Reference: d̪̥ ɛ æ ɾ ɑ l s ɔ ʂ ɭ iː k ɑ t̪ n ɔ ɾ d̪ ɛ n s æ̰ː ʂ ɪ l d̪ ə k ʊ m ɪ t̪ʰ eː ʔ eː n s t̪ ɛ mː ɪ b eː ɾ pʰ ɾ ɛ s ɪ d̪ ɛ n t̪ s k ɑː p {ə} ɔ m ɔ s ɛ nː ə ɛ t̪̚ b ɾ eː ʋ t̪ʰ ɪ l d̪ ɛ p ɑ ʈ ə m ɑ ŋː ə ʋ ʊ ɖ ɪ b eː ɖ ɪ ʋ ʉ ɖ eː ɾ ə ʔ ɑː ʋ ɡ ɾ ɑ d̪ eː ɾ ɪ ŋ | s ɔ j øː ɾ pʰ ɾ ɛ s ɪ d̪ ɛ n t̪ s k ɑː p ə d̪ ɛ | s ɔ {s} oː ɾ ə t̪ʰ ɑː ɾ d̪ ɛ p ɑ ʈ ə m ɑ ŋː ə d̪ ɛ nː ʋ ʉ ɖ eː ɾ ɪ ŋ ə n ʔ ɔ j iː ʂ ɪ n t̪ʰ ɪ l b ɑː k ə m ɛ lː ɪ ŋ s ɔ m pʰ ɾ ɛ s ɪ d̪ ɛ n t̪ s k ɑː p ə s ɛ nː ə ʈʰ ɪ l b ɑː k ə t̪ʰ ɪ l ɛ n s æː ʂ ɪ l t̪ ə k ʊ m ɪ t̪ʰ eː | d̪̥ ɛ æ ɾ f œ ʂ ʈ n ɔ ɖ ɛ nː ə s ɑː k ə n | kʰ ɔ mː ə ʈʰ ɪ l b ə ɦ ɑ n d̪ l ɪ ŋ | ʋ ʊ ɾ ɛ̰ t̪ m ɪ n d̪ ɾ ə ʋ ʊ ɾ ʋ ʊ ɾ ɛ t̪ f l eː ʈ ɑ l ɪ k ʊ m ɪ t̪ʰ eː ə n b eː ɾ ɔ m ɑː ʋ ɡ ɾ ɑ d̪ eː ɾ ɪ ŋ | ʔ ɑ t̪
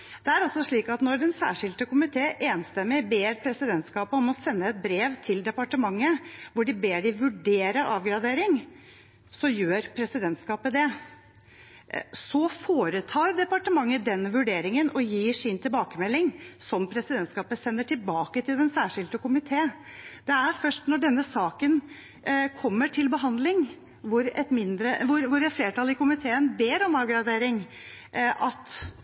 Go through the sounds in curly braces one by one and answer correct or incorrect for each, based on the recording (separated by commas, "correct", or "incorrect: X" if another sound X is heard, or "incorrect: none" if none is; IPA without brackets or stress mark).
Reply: correct, incorrect: f